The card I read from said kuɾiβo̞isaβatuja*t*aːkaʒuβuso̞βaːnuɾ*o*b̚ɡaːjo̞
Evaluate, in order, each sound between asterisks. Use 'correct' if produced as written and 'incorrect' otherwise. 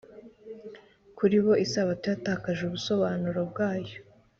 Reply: correct, correct

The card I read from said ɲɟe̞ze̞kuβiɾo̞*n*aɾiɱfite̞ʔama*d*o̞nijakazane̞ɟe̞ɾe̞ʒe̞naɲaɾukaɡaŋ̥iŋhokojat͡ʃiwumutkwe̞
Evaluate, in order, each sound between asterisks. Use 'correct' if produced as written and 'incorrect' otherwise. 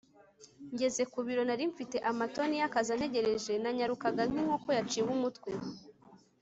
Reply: correct, incorrect

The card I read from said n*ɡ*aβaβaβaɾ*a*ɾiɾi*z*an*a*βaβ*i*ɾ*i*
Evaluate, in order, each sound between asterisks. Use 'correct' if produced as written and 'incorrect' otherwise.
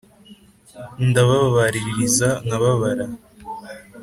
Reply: incorrect, incorrect, correct, correct, incorrect, incorrect

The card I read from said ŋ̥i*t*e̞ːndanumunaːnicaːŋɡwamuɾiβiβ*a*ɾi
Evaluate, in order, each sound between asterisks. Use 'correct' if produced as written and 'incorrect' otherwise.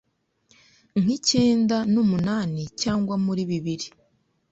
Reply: incorrect, incorrect

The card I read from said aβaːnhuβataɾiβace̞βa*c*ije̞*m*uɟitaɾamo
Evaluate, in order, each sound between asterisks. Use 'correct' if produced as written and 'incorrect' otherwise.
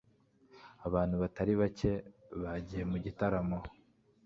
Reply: incorrect, correct

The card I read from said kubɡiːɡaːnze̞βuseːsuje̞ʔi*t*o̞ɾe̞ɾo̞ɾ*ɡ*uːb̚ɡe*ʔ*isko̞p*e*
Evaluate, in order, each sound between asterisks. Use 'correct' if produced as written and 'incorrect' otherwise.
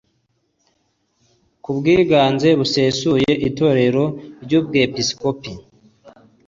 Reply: correct, incorrect, incorrect, incorrect

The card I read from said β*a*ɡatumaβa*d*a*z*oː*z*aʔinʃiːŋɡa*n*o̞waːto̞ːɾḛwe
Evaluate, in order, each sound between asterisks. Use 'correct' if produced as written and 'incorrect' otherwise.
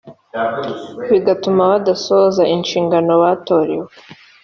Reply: incorrect, correct, incorrect, correct, correct

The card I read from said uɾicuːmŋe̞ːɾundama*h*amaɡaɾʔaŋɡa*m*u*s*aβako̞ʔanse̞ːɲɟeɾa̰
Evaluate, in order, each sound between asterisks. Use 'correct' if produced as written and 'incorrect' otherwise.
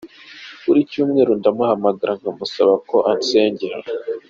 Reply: correct, correct, correct

